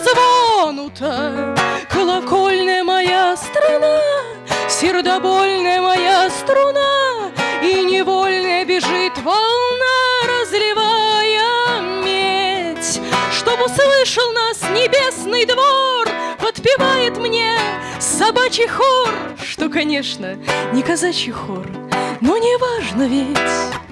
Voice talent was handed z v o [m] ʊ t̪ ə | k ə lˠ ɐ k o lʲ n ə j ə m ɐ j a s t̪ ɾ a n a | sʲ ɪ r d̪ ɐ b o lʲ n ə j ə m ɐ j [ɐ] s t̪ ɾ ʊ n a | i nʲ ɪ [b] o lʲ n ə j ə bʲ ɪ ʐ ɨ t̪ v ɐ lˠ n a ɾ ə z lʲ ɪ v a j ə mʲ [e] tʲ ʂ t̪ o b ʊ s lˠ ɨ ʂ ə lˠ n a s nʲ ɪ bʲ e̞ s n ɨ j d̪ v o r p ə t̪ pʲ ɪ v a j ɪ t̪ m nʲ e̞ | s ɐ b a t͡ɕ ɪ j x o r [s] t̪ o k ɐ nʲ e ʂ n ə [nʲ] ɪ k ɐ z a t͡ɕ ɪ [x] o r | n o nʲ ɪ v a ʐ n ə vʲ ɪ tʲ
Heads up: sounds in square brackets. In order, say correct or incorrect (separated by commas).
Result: incorrect, incorrect, incorrect, correct, incorrect, correct, correct